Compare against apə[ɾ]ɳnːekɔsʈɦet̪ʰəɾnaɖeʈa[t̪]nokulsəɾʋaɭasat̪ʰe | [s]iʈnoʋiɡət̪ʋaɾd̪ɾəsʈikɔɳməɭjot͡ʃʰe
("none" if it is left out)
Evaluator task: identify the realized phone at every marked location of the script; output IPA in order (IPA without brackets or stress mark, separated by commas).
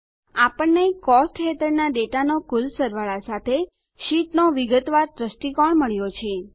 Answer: none, none, ʃ